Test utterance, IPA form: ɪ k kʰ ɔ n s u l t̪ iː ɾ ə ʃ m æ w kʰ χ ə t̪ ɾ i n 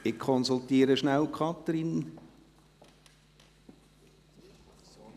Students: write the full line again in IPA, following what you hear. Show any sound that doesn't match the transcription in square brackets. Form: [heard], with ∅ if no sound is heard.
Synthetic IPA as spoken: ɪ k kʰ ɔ n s u l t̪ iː ɾ ə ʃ [n] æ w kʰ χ [ɑ] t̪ ɾ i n